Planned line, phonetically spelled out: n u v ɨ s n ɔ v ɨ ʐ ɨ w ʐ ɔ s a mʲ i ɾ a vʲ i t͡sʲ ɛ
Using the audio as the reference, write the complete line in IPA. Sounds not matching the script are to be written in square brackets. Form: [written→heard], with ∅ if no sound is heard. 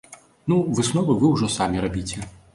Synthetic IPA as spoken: n u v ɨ s n ɔ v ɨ [ʐ→v] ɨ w ʐ ɔ s a mʲ i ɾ a [vʲ→bʲ] i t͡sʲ ɛ